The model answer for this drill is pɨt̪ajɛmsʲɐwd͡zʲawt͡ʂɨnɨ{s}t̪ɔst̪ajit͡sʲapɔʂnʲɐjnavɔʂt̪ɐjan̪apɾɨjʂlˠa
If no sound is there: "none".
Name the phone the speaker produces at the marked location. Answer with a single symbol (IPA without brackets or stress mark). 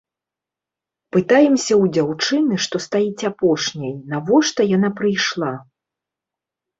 ʂ